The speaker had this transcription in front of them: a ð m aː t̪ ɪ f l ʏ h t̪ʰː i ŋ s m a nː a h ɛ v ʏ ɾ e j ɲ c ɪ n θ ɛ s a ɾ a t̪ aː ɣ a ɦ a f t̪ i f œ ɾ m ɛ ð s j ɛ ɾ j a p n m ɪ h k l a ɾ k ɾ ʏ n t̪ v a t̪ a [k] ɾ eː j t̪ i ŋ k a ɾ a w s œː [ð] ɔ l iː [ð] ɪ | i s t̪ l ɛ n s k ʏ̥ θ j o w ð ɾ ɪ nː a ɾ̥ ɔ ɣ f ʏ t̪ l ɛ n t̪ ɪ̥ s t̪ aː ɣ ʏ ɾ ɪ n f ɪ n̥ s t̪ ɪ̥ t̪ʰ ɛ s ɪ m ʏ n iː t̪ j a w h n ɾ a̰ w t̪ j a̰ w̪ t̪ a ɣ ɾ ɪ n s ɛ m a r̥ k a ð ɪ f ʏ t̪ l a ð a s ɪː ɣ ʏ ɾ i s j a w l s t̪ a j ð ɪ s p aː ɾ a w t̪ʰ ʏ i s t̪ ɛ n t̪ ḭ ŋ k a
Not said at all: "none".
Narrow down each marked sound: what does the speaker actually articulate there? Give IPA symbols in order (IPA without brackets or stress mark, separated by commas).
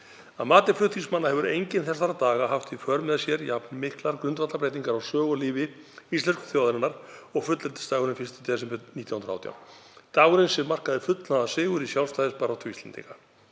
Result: p, ɣ, v